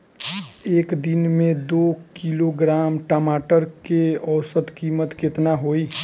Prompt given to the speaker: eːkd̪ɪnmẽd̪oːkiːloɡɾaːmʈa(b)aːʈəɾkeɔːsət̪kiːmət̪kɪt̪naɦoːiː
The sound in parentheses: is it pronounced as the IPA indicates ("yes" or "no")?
no